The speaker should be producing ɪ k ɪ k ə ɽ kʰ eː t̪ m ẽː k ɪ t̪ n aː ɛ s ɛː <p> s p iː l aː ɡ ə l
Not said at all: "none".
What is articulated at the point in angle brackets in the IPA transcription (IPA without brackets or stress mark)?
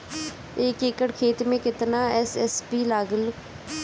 none